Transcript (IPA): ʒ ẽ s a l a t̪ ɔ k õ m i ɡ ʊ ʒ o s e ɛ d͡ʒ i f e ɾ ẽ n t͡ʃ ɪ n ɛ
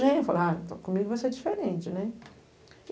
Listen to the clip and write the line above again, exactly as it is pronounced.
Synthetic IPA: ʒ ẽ f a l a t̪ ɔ k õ m i ɡ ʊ v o s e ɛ d͡ʒ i f e ɾ ẽ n t͡ʃ ɪ n ɛ